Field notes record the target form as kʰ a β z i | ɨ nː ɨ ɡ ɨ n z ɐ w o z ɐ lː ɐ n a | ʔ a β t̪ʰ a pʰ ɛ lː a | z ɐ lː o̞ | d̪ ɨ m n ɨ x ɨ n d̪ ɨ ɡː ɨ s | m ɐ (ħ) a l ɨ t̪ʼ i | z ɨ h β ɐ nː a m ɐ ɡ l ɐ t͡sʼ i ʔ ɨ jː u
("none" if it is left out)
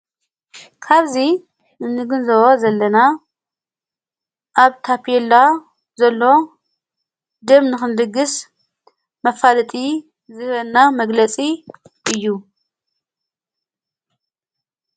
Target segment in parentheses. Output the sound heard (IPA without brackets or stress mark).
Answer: f